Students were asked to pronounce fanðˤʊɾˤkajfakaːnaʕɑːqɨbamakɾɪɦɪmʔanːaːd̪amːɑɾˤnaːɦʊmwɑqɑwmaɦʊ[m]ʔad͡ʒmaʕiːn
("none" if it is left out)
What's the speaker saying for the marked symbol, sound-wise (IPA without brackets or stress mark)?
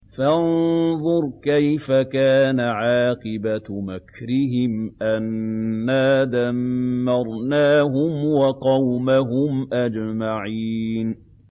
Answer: m